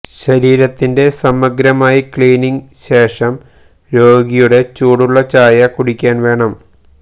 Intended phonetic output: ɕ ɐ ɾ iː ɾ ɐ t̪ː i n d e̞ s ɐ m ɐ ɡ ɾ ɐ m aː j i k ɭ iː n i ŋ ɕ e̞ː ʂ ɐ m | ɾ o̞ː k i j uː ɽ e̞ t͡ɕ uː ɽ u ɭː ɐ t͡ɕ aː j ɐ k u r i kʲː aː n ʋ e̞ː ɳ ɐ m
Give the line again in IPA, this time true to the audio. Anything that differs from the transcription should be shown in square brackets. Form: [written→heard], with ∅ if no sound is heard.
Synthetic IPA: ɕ ɐ ɾ iː ɾ ɐ t̪ː i n d e̞ s ɐ m ɐ ɡ ɾ ɐ m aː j i k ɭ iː n i ŋ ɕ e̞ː ʂ ɐ m | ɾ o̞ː [k→ɡ] i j [uː→u] ɽ e̞ t͡ɕ uː ɽ u ɭː ɐ t͡ɕ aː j ɐ k u [r→ɽ] i kʲː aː n ʋ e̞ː ɳ ɐ m